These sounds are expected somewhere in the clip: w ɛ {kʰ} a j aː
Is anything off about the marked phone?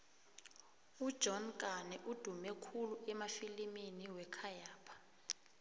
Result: no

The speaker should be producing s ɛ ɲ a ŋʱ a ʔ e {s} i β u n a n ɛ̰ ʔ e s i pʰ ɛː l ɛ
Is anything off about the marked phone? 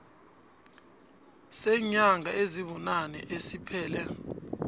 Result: yes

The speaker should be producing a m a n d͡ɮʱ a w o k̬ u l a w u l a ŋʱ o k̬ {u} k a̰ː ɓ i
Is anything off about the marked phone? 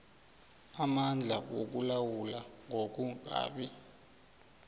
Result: no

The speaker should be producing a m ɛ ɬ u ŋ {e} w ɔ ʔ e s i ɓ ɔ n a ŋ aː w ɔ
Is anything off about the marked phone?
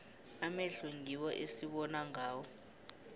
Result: yes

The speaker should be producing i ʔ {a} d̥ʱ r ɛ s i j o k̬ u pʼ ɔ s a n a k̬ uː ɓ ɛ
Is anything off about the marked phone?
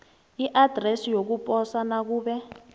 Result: no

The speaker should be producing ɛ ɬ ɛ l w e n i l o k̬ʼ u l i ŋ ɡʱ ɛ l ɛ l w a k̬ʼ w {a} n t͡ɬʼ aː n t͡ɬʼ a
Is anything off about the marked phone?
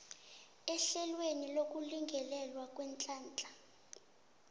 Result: yes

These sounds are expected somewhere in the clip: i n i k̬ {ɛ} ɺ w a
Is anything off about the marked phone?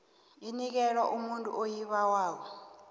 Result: no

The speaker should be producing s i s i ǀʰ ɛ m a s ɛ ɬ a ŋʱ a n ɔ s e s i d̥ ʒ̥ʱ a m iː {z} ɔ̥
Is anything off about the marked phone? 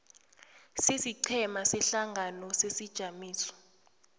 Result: yes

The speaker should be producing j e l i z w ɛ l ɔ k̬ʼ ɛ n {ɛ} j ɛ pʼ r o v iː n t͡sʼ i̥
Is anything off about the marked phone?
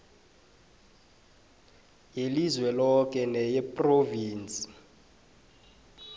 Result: no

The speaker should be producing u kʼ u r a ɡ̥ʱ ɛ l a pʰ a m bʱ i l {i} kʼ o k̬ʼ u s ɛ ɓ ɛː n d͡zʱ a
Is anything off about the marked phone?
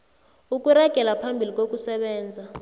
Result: no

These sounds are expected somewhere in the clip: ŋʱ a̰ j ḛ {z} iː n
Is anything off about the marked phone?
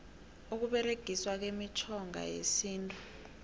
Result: yes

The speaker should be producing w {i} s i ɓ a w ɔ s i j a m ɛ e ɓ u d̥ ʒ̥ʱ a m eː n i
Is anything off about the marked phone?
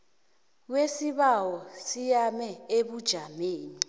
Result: yes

